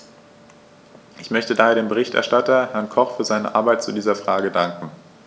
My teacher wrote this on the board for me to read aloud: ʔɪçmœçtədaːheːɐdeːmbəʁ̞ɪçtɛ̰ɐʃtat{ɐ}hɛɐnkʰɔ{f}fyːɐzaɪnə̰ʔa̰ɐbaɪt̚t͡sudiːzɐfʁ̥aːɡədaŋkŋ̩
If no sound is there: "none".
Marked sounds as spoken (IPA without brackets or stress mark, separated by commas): ɐ, χ